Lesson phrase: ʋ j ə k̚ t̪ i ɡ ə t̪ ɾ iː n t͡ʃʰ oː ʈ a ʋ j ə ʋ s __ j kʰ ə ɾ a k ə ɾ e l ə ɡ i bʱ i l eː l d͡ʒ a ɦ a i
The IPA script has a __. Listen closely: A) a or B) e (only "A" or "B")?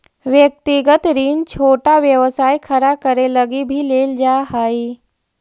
A